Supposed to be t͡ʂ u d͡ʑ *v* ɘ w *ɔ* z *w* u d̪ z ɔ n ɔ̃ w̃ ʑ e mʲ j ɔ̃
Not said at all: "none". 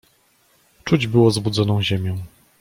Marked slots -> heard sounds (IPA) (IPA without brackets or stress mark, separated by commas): b, ɔ, b